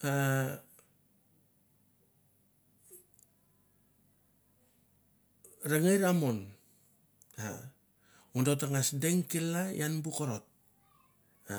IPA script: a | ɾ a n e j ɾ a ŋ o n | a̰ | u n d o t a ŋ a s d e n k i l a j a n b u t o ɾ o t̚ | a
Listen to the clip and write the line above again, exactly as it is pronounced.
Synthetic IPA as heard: a | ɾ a ŋ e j ɾ a m o n | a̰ | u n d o t a ŋ a s d e ŋ k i l a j a n b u k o ɾ o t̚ | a